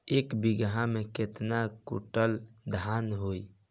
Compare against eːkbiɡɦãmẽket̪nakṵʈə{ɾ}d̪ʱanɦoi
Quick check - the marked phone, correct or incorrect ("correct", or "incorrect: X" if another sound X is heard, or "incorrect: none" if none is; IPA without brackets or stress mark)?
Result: incorrect: l